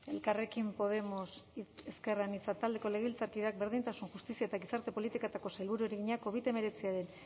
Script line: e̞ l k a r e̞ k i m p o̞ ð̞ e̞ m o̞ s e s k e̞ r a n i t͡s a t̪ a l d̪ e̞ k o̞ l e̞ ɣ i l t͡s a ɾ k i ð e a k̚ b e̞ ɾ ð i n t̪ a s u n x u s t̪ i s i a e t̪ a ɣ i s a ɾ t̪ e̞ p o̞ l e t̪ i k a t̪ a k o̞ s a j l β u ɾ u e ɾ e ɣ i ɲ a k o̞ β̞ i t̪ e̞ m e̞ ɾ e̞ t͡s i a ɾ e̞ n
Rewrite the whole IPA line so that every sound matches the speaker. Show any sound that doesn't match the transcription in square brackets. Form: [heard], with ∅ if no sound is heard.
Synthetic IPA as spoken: e̞ l k a r e̞ k i m p o̞ ð̞ e̞ m o̞ s e s k e̞ r a n i t͡s a t̪ a l d̪ e̞ k o̞ l e̞ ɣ i l t͡s a ɾ k i ð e a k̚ b e̞ ɾ ð i n t̪ a s u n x u s t̪ i s i a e t̪ a ɣ i s a ɾ t̪ e̞ p o̞ l [i] t̪ i k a t̪ a k o̞ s a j l β u ɾ u e ɾ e ɣ i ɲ a k o̞ β̞ i t̪ e̞ m e̞ ɾ e̞ t͡s i a ɾ e̞ n

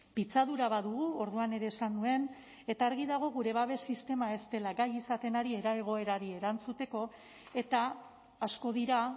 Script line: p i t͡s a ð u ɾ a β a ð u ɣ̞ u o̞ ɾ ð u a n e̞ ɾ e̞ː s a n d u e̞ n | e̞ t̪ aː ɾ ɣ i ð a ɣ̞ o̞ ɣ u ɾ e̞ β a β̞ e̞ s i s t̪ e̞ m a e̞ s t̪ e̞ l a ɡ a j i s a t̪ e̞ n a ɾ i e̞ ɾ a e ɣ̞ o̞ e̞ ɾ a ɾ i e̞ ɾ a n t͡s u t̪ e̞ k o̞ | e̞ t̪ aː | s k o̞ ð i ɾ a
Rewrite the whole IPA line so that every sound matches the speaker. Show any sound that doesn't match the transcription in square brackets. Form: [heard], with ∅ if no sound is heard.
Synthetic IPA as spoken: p i t͡s a ð u ɾ a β a ð u ɣ̞ u o̞ ɾ ð u a n e̞ ɾ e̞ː s a n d u e̞ n | e̞ t̪ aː ɾ ɣ i ð a ɣ̞ o̞ ɣ u ɾ e̞ β a β̞ e̞ s i s t̪ e̞ m a e̞ s t̪ e̞ l a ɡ a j i s a t̪ e̞ n a ɾ i e̞ ɾ a e ɣ̞ o̞ e̞ ɾ a ɾ i e̞ ɾ a n t͡s u t̪ e̞ k o̞ | e̞ t̪ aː | s k o̞ ð i ɾ a

